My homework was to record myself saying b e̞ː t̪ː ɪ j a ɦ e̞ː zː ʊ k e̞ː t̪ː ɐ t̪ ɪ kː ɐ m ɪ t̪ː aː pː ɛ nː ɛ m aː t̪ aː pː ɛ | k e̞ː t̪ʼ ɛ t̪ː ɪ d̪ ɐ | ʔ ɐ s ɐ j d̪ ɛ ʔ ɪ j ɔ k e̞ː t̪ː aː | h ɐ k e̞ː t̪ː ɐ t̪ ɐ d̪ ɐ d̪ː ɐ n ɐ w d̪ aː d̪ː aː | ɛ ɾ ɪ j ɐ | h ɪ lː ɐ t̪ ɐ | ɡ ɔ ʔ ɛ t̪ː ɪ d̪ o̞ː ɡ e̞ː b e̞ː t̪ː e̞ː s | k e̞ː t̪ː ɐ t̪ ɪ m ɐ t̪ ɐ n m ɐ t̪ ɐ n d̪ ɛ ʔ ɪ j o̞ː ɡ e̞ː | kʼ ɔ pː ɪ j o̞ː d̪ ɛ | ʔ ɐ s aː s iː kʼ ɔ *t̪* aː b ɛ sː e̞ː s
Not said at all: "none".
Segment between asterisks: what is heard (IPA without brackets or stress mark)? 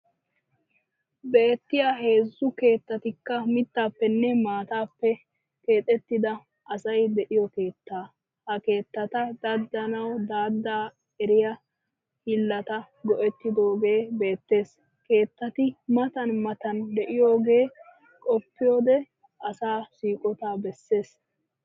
t̪